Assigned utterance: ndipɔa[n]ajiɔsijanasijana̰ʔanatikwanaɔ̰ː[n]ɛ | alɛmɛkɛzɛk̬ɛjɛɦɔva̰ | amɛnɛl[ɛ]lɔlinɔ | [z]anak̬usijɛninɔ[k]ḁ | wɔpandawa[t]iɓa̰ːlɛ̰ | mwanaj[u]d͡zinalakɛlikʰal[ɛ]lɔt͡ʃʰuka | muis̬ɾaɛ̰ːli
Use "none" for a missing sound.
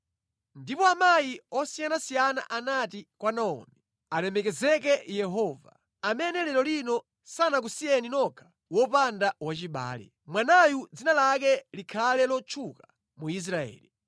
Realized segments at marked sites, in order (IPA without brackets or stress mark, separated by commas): m, m, ɛ, s, kʰ, t͡ʃ, u, ɛ